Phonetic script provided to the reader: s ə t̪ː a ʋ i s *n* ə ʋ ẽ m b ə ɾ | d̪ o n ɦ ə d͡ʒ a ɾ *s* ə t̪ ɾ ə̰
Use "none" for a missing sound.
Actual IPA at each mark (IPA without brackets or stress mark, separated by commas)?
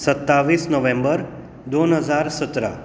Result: n, s